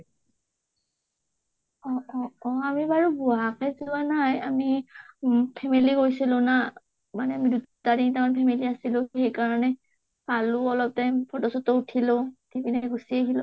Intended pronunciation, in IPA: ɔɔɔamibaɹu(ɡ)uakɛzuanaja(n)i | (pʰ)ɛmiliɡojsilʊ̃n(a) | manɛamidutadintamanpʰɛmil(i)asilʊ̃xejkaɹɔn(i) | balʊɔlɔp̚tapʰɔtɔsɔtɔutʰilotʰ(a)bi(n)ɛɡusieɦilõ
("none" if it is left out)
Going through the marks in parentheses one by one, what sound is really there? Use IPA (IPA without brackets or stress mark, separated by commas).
b, m, pʰ, a, i, ɛ, i, n